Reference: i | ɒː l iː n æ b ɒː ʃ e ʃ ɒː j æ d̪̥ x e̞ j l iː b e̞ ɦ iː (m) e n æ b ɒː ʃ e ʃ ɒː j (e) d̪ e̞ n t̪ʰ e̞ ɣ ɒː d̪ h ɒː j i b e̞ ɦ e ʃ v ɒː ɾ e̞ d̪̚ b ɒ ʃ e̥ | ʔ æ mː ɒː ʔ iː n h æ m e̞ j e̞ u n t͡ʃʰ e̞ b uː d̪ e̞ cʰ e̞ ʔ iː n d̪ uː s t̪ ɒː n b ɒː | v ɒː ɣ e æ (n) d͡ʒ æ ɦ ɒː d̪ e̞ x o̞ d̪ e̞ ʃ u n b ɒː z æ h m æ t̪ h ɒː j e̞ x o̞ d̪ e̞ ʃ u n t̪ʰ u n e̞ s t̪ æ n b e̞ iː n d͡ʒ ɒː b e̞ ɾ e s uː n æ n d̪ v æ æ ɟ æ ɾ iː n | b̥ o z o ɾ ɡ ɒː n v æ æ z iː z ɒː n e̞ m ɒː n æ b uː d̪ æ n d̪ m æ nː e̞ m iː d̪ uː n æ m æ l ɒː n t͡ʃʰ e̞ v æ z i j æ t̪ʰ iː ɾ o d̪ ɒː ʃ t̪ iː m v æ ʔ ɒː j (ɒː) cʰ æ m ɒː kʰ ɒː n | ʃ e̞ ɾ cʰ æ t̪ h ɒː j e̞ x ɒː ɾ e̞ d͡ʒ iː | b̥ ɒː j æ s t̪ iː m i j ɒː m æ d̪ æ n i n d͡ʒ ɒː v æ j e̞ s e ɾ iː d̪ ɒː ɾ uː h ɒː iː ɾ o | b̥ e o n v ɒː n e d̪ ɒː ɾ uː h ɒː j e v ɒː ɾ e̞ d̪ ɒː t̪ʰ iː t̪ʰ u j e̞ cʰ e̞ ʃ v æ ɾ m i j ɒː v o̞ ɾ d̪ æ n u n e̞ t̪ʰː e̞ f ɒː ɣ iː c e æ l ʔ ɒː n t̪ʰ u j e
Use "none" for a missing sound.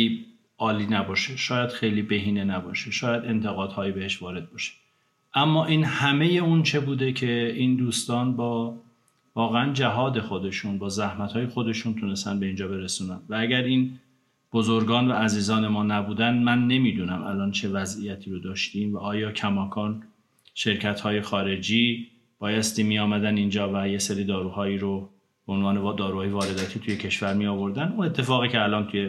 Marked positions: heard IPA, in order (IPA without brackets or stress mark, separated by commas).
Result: n, æ, n, ɒː